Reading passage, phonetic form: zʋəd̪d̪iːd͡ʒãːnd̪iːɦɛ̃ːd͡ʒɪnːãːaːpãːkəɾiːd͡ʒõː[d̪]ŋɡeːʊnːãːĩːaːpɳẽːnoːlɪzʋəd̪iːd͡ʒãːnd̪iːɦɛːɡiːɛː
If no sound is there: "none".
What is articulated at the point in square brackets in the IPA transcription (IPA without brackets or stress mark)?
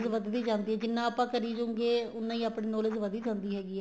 none